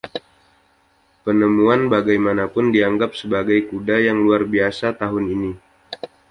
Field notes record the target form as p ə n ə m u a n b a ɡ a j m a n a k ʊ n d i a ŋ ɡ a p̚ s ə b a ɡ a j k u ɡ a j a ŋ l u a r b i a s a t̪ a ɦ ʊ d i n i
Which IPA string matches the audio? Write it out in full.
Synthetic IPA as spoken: p ə n ə m u a n b a ɡ a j m a n a p ʊ n d i a ŋ ɡ a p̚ s ə b a ɡ a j k u d a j a ŋ l u a r b i a s a t̪ a ɦ ʊ n i n i

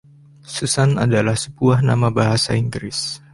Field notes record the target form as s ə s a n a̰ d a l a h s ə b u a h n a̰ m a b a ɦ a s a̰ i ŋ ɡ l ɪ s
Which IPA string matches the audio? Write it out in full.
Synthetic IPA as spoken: s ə s a n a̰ d a l a h s ə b u a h n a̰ m a b a ɦ a s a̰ i ŋ ɡ ɾ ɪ s

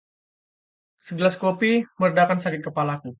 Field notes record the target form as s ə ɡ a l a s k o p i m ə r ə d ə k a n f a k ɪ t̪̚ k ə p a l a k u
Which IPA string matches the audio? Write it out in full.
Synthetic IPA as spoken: s ə ɡ ə l a s k o p i m ə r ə d a k a n s a k ɪ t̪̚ k ə p a l a k u

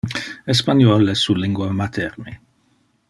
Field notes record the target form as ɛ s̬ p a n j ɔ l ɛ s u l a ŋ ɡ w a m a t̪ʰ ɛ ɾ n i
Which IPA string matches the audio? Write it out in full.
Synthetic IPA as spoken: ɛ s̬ p a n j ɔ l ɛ s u l i ŋ ɡ w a m a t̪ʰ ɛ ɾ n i

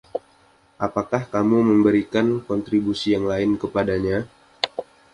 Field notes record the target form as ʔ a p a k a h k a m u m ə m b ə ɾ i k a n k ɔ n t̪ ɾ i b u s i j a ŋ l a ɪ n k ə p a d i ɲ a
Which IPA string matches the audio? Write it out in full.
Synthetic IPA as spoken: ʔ a p a k a h k a m u m ə m b ə ɾ i k a n k ɔ n t̪ ɾ i b u s i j a ŋ l a ɪ n k ə p a d a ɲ a

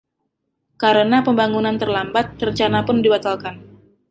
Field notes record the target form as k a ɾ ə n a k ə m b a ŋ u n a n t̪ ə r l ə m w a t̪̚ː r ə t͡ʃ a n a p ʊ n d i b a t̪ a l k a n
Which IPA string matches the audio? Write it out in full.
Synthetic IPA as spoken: k a ɾ ə n a p ə m b a ŋ u n a n t̪ ə r l a m b a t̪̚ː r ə t͡ʃ a n a p ʊ n d i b a t̪ a l k a n

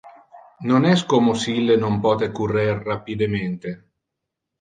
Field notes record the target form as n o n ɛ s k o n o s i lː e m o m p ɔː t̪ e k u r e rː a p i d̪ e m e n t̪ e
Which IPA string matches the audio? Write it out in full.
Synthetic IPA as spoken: n o n ɛ s k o m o s i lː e n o m p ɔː t̪ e k u r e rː a p i d̪ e m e n t̪ e

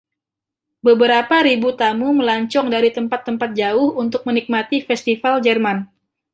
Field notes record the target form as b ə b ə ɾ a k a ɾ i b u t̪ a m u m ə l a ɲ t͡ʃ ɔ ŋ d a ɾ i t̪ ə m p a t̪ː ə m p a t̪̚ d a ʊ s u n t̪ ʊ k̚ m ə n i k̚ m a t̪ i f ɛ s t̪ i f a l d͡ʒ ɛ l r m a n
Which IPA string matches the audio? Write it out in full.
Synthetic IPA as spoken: b ə b ə ɾ a p a ɾ i b u t̪ a m u m ə l a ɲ t͡ʃ ɔ ŋ d a ɾ i t̪ ə m p a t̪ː ə m p a t̪̚ d͡ʒ a ʊ h u n t̪ ʊ k̚ m ə n i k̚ m a t̪ i f ɛ s t̪ i f a l d͡ʒ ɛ r m a n

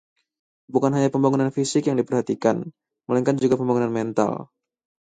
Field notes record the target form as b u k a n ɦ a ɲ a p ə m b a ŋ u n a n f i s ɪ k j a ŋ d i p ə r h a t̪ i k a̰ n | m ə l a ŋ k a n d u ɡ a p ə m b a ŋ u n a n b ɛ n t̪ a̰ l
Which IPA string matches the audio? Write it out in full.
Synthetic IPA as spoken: b u k a n ɦ a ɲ a p ə m b a ŋ u n a n f i s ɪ k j a ŋ d i p ə r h a t̪ i k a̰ n | m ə l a ŋ k a n d͡ʒ u ɡ a p ə m b a ŋ u n a n m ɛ n t̪ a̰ l

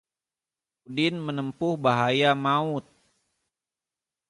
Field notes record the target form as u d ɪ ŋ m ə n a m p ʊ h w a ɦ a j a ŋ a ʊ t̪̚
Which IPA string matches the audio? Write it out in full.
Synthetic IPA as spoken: u d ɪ n m ə n ə m p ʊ h b a ɦ a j a m a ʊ t̪̚

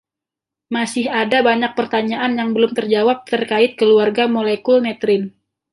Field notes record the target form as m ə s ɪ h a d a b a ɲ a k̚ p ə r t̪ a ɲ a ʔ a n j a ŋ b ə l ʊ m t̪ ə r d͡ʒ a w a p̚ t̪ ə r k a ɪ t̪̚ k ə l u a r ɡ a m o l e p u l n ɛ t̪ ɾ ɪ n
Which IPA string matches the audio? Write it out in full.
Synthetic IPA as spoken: m a s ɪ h a d a b a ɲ a k̚ p ə r t̪ a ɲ a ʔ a n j a ŋ b ə l ʊ m t̪ ə r d͡ʒ a w a p̚ t̪ ə r k a ɪ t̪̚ k ə l u a r ɡ a m o l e k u l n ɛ t̪ ɾ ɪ n

